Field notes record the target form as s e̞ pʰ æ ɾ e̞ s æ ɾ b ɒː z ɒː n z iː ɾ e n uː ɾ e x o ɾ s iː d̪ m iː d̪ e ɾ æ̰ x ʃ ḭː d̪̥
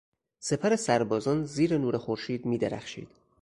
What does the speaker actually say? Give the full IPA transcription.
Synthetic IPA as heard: s e̞ pʰ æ ɾ e̞ s æ ɾ b ɒː z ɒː n z iː ɾ e n uː ɾ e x o ɾ ʃ iː d̪ m iː d̪ e ɾ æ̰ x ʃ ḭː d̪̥